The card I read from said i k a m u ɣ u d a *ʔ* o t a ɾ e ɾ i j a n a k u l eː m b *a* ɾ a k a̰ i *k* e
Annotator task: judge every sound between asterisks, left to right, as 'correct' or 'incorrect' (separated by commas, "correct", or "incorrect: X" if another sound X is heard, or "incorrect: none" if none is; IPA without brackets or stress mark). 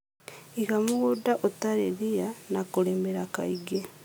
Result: correct, incorrect: e, incorrect: ɡ